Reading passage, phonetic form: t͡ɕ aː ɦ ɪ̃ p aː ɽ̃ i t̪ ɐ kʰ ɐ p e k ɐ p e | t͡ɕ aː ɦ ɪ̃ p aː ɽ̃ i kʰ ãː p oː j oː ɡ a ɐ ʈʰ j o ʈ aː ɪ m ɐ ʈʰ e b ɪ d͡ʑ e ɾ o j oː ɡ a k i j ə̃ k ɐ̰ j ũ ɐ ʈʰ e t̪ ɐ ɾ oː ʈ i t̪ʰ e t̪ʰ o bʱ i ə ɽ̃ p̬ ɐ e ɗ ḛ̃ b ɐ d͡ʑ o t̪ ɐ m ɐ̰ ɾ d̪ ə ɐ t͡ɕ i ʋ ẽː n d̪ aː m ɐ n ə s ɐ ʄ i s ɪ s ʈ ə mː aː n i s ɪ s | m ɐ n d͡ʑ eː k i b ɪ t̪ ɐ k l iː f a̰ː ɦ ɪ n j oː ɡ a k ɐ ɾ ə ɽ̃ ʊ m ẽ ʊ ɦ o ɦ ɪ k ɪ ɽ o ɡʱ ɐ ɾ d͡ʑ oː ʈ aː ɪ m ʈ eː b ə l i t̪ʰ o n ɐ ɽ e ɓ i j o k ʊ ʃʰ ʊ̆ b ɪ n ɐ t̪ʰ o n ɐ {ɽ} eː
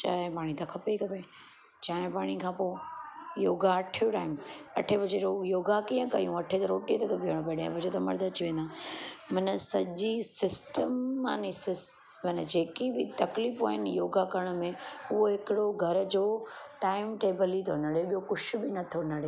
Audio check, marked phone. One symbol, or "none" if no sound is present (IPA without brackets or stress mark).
ɽ